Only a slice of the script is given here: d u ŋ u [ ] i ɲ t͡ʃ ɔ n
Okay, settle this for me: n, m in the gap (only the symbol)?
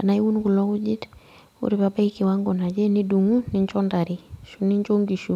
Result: n